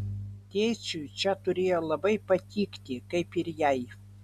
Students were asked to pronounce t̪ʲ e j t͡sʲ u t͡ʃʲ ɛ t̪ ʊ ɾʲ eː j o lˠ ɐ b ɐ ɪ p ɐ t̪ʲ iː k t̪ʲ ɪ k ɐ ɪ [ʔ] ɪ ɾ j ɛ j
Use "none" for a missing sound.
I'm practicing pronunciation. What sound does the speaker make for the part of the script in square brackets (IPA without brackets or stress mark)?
p